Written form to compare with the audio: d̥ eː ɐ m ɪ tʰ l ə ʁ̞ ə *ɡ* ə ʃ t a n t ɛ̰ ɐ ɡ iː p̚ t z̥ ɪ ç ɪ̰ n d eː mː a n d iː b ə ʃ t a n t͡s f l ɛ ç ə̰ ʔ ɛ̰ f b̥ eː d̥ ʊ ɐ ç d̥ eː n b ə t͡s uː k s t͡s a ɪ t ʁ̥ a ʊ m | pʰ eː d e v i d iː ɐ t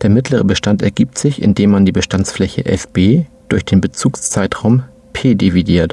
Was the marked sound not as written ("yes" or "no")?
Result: yes